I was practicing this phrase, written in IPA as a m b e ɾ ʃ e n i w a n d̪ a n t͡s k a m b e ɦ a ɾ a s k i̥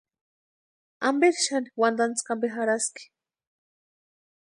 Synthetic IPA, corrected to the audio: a m b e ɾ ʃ a n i w a n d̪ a n t͡s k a m b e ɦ a ɾ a s k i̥